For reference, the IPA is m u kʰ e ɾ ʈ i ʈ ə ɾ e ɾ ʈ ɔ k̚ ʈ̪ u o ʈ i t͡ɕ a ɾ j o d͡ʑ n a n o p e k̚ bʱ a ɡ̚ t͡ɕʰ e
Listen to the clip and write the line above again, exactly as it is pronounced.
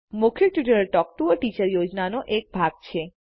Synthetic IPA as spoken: m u kʰ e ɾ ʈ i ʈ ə ɾ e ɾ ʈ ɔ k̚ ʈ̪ u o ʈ i t͡ɕ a ɾ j o d͡ʑ n a n o ʔ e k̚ bʱ a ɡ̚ t͡ɕʰ e